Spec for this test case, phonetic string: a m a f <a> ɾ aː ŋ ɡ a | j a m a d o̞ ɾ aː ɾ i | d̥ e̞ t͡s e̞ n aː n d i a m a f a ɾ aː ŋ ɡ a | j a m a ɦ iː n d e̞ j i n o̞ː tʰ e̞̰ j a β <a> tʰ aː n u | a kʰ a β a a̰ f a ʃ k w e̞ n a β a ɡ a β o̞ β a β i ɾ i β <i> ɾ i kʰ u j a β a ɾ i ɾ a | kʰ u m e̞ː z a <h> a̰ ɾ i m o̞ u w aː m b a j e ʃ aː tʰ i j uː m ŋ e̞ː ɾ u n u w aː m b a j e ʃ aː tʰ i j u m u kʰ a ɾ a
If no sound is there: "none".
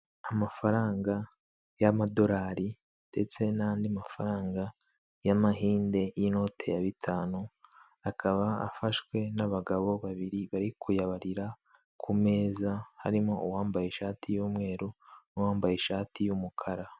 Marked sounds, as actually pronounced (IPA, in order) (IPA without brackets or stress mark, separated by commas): a, i, a, h